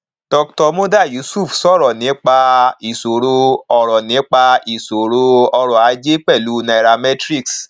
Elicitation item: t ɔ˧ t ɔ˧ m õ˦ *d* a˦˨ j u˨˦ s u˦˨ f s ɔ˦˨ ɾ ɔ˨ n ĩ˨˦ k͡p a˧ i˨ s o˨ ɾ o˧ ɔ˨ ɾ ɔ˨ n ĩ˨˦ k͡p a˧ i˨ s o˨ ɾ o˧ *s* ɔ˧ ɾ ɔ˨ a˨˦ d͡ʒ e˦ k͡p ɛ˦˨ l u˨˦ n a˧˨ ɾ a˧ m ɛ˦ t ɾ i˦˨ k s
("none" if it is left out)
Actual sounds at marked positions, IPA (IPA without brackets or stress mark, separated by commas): d, none